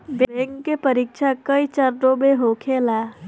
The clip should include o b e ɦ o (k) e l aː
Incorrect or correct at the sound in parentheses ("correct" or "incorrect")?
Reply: incorrect